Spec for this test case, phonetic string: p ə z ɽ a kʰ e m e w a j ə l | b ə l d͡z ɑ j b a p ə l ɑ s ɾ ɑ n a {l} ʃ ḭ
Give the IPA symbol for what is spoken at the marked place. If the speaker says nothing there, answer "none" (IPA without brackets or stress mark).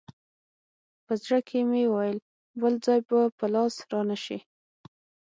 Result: none